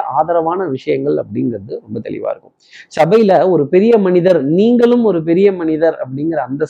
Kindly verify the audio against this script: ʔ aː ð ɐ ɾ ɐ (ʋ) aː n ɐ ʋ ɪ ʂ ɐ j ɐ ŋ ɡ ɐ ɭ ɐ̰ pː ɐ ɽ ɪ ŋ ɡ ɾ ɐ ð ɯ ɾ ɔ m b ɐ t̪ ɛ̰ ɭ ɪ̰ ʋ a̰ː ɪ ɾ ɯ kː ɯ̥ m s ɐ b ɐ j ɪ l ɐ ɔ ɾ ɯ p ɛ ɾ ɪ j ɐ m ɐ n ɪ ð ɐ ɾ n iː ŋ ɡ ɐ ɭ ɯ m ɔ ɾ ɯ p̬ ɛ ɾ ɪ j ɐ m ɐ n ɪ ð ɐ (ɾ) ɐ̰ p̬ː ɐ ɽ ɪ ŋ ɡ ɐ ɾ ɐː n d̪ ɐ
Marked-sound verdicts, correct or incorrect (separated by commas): correct, correct